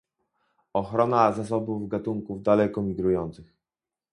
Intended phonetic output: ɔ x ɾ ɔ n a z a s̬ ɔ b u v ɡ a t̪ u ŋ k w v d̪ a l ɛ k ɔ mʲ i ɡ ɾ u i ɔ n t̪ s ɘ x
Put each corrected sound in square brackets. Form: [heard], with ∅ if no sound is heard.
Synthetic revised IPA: ɔ x ɾ ɔ n a z a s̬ ɔ b u v ɡ a t̪ u ŋ k [u] v d̪ a l ɛ k ɔ mʲ i ɡ ɾ u [j] ɔ n t̪ s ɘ x